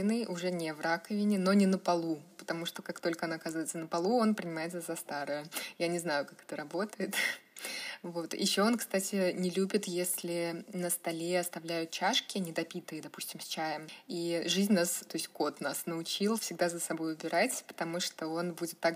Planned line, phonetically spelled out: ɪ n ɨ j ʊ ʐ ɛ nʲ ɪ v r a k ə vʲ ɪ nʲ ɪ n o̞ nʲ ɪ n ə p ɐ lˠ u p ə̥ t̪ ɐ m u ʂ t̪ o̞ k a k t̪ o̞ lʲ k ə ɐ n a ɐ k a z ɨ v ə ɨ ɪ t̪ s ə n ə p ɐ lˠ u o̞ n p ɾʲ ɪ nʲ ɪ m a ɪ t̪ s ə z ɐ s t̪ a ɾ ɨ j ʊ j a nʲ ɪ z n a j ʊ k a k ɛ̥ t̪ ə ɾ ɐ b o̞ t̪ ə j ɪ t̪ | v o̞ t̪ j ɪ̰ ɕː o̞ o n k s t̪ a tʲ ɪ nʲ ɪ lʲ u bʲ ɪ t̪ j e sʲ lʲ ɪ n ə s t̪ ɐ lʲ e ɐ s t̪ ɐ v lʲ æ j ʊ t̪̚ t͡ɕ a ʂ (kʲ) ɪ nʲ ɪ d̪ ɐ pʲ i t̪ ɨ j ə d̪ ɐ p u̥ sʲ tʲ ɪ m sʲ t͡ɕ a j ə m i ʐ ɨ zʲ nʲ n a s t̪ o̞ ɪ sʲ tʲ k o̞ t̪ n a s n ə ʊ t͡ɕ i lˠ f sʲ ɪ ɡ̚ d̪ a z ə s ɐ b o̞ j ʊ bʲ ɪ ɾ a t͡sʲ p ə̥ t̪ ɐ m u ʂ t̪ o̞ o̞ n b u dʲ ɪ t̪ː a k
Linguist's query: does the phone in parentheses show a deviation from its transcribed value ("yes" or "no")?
no